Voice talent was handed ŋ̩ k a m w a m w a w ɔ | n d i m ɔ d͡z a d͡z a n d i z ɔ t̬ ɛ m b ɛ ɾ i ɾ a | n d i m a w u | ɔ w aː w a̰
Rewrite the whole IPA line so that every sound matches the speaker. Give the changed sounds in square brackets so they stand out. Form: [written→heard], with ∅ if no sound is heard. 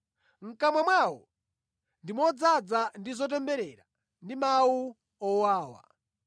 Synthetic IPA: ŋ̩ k a m w a m w a w ɔ | n d i m ɔ d͡z a d͡z a n d i z ɔ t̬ ɛ m b ɛ ɾ [i→ɛ] ɾ a | n d i m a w u | ɔ w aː w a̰